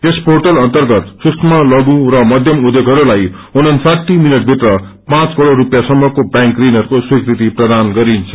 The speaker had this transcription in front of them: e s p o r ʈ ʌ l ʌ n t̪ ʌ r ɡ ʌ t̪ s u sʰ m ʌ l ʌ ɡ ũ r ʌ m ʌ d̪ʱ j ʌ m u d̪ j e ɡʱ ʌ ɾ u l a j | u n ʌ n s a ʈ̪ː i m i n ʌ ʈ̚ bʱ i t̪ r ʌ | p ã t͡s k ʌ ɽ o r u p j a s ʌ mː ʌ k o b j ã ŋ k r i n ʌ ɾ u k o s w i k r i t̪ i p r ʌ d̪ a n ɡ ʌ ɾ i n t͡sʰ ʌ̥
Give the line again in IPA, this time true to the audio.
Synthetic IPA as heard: e s p o r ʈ ʌ l ʌ n t̪ ʌ r ɡ ʌ t̪ s u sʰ m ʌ l ʌ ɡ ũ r ʌ m ʌ d̪ʱ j ʌ m u d̪ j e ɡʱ ʌ ɾ u l a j | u n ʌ n s a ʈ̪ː i m i n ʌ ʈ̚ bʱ i t̪ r ʌ | p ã t͡s k ʌ ɽ o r u p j a s ʌ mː ʌ k o b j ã ŋ k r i n ʌ ɾ u k o s w i k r i t̪ i p r ʌ d̪ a n ɡ ʌ ɾ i n t͡sʰ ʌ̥

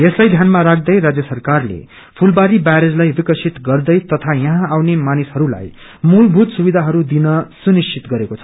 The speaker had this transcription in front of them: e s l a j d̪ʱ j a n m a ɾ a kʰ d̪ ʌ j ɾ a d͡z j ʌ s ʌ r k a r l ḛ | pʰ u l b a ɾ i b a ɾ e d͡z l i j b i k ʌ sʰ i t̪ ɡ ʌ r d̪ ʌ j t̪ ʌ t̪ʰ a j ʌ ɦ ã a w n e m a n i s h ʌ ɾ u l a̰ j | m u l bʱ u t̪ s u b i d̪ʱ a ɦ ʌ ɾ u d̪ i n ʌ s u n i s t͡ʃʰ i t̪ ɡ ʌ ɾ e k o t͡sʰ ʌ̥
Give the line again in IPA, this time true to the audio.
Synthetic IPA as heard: e s l a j d̪ʱ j a n m a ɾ a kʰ d̪ ʌ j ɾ a d͡z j ʌ s ʌ r k a r l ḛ | pʰ u l b a ɾ i b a ɾ e d͡z l a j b i k ʌ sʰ i t̪ ɡ ʌ r d̪ ʌ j t̪ ʌ t̪ʰ a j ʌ ɦ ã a w n e m a n i s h ʌ ɾ u l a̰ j | m u l bʱ u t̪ s u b i d̪ʱ a ɦ ʌ ɾ u d̪ i n ʌ s u n i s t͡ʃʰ i t̪ ɡ ʌ ɾ e k o t͡sʰ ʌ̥

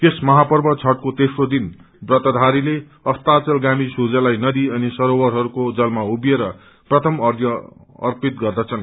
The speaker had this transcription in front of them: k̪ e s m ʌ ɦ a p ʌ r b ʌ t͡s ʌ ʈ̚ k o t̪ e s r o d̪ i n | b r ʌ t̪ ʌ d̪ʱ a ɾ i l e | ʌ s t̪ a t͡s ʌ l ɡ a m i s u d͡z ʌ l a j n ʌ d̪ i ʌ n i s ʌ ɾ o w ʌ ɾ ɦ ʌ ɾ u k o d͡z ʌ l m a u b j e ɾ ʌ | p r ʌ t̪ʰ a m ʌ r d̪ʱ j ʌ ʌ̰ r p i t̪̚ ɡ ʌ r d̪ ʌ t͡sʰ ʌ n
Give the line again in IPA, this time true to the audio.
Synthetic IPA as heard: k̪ e s m ʌ ɦ a p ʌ r b ʌ t͡sʰ ʌ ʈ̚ k o t̪ e s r o d̪ i n | b r ʌ t̪ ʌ d̪ʱ a ɾ i l e | ʌ s t̪ a t͡s ʌ l ɡ a m i s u d͡z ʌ l a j n ʌ d̪ i ʌ n i s ʌ ɾ o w ʌ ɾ ɦ ʌ ɾ u k o d͡z ʌ l m a u b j e ɾ ʌ | p r ʌ t̪ʰ ʌ m ʌ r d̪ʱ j ʌ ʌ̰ r p i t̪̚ ɡ ʌ r d̪ ʌ t͡sʰ ʌ n

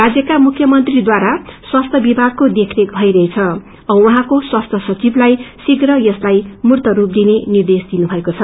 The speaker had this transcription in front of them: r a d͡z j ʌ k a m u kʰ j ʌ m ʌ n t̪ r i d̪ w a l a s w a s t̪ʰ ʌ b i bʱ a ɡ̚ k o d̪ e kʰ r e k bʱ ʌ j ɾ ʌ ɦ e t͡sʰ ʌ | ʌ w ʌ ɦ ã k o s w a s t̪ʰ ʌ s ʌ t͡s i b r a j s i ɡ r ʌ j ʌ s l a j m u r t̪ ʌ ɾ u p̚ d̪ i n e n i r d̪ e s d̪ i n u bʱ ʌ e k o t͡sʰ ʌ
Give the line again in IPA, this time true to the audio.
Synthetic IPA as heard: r a d͡z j ʌ k a m u kʰ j ʌ m ʌ n t̪ r i d̪ w a ɾ a s w a s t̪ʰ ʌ b i bʱ a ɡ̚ k o d̪ e kʰ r e k bʱ ʌ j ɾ ʌ ɦ e t͡sʰ ʌ | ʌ w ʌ ɦ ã k o s w a s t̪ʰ ʌ s ʌ t͡s i b l a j s i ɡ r ʌ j ʌ s l a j m u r t̪ ʌ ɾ u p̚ d̪ i n e n i r d̪ e s d̪ i n u bʱ ʌ e k o t͡sʰ ʌ

